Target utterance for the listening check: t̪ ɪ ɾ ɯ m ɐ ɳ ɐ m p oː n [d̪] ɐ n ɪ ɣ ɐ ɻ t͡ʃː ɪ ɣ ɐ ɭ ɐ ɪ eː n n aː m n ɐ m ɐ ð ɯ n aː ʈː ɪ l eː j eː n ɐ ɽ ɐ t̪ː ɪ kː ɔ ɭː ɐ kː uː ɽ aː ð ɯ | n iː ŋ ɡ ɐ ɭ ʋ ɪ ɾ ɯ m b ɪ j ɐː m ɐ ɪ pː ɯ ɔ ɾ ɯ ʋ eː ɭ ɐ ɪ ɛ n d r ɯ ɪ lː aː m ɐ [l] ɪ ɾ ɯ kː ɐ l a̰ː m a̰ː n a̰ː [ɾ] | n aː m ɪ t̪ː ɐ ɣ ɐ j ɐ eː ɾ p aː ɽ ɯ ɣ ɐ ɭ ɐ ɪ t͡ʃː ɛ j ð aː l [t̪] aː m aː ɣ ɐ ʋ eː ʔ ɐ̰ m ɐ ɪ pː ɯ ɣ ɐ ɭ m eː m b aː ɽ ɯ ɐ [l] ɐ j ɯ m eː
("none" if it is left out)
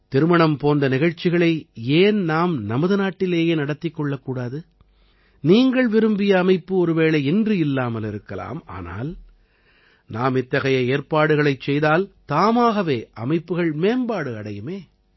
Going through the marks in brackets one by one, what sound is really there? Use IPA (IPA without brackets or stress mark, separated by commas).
d̪, l, l, t̪, ɽ